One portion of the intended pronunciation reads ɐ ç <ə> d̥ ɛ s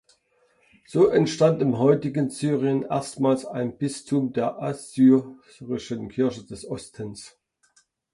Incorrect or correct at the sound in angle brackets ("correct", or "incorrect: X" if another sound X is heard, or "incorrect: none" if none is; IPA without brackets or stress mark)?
correct